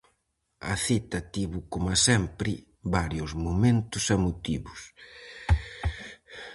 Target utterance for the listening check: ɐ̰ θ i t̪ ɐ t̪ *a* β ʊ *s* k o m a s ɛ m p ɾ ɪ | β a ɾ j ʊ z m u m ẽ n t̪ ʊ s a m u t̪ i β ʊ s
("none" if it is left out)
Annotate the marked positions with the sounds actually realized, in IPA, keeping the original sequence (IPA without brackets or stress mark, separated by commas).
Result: i, none